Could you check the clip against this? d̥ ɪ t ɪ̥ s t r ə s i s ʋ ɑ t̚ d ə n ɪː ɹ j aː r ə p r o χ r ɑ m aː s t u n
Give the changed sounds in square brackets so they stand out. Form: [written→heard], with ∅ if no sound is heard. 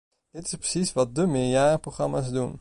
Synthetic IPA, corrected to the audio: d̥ ɪ t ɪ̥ s [t→p] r ə s i s ʋ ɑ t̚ d ə [n→m] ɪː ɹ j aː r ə p r o χ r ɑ m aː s [t→d] u n